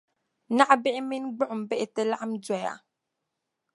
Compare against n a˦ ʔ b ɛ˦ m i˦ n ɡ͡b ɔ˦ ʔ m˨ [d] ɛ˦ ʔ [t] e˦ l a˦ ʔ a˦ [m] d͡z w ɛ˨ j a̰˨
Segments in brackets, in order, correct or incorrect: incorrect, correct, correct

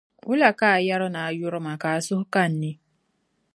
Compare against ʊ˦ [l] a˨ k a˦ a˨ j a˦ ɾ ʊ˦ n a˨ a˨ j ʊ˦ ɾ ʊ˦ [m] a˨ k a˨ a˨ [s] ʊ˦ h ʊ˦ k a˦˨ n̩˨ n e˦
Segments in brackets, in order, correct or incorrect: correct, correct, correct

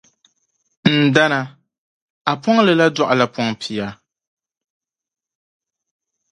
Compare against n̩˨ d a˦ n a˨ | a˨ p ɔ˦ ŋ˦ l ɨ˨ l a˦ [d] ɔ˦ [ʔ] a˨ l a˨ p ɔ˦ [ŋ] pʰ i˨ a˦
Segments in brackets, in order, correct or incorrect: correct, correct, correct

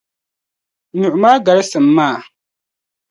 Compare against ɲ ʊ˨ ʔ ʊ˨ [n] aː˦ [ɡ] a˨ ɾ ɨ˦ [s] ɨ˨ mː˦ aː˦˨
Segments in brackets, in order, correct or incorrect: incorrect, correct, correct

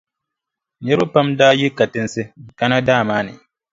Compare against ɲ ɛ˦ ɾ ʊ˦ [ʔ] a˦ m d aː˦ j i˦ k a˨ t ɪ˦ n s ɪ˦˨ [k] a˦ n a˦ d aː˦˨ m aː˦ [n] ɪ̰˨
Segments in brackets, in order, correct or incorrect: incorrect, correct, correct

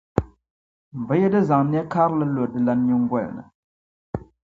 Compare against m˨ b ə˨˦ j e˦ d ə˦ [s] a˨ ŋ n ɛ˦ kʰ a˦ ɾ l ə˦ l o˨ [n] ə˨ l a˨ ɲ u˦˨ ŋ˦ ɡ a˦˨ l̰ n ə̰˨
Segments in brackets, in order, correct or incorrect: incorrect, incorrect

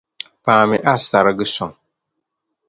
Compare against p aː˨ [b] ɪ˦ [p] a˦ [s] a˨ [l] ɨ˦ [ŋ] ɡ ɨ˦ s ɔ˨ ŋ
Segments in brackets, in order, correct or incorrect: incorrect, incorrect, correct, incorrect, incorrect

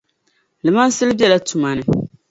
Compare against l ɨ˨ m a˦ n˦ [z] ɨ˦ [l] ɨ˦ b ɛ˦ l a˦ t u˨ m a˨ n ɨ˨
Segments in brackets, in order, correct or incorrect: incorrect, correct

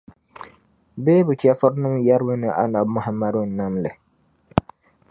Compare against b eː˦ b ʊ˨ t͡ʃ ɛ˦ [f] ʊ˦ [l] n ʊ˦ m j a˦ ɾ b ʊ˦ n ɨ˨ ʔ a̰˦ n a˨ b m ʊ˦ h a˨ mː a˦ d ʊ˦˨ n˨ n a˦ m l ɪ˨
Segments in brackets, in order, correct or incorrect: correct, incorrect

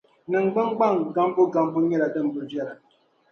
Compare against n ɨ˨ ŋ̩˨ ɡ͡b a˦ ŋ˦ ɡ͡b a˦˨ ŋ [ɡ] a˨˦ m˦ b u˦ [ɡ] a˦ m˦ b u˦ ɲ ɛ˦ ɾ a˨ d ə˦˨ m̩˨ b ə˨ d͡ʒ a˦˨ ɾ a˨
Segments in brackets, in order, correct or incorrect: correct, correct

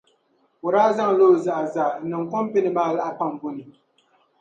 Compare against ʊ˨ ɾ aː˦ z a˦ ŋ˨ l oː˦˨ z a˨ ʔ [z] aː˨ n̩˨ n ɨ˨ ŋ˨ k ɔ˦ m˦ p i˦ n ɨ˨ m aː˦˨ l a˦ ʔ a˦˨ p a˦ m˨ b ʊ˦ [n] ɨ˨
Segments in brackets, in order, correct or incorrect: correct, correct

